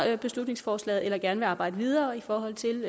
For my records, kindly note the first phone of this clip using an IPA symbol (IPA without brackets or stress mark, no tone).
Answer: b̥